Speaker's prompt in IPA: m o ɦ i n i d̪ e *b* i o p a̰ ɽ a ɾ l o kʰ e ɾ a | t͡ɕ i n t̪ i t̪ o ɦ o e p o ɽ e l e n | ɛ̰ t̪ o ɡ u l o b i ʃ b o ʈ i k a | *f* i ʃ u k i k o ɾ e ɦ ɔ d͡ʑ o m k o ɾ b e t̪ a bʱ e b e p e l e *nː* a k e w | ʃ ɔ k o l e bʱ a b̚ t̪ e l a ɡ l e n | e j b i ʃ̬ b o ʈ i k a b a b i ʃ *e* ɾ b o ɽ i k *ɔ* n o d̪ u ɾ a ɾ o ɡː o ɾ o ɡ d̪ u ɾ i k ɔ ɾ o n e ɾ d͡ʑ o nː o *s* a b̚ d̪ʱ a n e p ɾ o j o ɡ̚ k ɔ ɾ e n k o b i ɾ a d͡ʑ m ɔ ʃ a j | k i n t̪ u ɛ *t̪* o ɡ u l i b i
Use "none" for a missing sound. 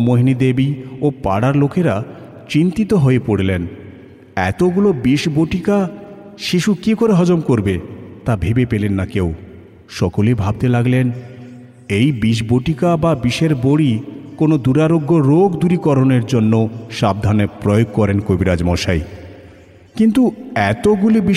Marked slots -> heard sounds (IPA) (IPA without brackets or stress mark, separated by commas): b, ʃ, nː, e, o, ʃ, t̪